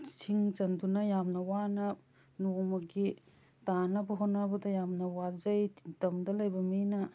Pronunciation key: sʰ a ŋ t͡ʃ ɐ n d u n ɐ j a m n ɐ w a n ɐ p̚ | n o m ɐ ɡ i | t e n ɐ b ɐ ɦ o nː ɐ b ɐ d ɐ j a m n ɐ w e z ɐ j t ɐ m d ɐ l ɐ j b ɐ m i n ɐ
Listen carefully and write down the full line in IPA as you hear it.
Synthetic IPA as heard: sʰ i ŋ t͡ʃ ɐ n d u n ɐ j a m n ɐ w a n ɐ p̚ | n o m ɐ ɡ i | t a n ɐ b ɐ ɦ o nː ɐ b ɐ d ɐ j a m n ɐ w a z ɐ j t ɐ m d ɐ l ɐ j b ɐ m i n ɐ